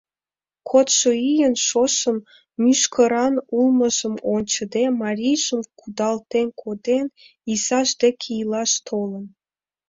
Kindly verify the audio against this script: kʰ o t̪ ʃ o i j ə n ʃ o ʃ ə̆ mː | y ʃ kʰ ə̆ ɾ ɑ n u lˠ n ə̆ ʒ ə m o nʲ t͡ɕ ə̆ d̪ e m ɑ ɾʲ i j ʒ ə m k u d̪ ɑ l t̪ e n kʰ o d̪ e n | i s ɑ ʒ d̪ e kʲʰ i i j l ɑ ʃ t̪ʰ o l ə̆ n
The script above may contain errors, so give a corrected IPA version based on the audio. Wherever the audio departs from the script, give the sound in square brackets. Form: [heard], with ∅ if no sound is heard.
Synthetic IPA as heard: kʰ o t̪ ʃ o i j ə n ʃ o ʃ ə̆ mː | y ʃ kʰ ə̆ ɾ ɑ n u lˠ [m] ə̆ ʒ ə m o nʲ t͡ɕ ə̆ d̪ e m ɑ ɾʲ i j ʒ ə m k u d̪ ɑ l t̪ e n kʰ o d̪ e n | i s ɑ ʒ d̪ e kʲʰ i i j l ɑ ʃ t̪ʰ o l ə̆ n